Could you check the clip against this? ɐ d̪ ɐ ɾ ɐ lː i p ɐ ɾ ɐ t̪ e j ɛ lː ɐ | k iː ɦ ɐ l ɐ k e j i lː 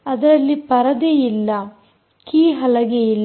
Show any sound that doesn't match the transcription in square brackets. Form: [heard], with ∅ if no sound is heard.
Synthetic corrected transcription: ɐ d̪ ɐ ɾ ɐ lː i p ɐ ɾ ɐ [d̪] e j [i] lː ɐ | k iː ɦ ɐ l ɐ [ɡ] e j i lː